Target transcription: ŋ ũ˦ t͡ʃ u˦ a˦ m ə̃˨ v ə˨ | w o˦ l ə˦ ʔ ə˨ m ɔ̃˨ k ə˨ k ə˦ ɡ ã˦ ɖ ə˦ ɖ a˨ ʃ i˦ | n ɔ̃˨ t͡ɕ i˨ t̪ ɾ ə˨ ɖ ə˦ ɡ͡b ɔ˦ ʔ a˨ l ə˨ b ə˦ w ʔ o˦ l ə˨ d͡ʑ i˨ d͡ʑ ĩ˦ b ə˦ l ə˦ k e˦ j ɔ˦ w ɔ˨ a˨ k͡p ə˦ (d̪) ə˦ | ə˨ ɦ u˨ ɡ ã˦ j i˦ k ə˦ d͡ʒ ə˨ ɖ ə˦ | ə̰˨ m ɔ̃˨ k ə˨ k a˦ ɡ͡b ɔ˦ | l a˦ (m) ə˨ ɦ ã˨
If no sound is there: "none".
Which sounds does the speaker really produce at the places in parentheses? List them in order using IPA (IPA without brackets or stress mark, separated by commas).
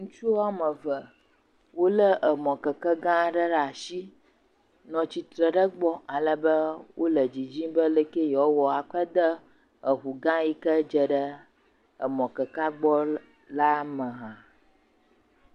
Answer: d̪, m